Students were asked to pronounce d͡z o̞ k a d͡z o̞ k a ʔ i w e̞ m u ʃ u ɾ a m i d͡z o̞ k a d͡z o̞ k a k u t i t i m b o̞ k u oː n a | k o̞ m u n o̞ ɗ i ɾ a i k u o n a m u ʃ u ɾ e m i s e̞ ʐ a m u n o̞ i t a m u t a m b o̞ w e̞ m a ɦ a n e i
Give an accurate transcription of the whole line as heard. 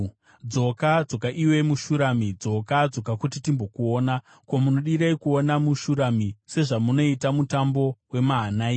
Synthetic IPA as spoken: d͡z o̞ k a d͡z o̞ k a ʔ i w e̞ m u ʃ u ɾ a m i d͡z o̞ k a d͡z o̞ k a k u t i t i m b o̞ k u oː n a | k o̞ m u n o̞ ɗ i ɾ a i k u o n a m u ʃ u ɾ a m i s e̞ ʐ a m u n o̞ i t a m u t a m b o̞ w e̞ m a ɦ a n a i